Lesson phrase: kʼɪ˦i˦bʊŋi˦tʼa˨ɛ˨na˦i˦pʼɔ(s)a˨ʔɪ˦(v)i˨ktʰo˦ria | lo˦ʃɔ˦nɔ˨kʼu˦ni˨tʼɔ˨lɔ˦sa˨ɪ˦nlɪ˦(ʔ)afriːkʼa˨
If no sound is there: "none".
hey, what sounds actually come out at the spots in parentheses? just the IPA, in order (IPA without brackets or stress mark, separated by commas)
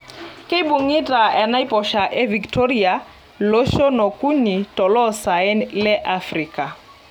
ʃ, v, ʔ